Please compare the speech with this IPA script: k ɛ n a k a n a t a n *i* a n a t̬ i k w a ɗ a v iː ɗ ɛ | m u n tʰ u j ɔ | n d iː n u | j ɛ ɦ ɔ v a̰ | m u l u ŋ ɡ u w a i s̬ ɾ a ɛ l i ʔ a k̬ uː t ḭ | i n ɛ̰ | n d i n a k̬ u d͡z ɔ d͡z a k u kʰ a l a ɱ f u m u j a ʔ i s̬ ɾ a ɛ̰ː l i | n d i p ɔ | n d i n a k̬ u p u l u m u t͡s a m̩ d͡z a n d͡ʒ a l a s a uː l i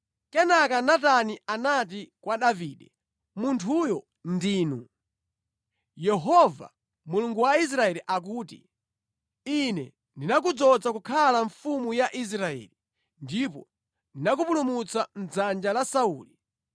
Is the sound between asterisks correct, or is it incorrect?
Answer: correct